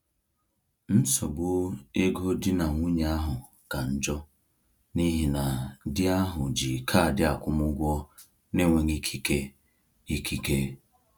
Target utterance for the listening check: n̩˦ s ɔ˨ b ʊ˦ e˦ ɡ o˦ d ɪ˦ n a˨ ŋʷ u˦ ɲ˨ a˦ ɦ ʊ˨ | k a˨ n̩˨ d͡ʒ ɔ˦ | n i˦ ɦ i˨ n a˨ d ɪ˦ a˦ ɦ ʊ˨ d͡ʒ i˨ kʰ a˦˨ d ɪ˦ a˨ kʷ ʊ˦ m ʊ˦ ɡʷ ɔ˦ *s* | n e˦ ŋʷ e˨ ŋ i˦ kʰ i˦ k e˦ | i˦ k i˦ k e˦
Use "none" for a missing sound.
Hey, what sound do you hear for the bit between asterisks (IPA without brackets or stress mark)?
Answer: none